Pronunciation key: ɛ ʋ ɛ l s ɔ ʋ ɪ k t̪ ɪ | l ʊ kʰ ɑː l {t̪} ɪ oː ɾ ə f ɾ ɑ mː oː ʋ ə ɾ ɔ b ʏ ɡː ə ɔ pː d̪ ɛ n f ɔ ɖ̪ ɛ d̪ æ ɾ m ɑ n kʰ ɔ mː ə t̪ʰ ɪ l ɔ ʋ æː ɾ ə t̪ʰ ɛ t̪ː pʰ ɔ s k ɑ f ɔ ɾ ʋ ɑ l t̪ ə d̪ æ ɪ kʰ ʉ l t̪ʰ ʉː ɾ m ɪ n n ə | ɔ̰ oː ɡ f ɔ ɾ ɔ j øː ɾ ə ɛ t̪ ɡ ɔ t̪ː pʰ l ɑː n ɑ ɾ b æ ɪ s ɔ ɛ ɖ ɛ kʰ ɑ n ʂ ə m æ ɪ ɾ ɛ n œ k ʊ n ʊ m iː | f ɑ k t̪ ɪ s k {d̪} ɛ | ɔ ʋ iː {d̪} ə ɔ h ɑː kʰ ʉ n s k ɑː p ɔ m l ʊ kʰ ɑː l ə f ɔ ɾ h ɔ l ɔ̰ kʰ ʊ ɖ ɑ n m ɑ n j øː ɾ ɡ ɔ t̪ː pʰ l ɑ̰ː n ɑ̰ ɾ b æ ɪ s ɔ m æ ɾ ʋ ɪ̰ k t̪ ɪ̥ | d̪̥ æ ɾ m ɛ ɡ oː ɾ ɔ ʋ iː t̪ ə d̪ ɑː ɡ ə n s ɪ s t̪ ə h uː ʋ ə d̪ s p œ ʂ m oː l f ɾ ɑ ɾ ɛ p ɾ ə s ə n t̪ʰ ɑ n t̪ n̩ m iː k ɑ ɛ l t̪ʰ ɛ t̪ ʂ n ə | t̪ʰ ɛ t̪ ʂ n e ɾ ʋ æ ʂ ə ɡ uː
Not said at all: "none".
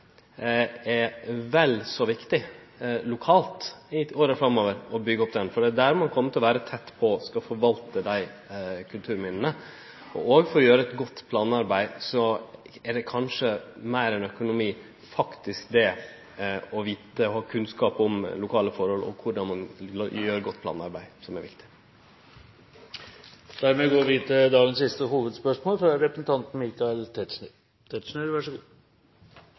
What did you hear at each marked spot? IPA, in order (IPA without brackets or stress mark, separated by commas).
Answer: t̪, d̪, t̪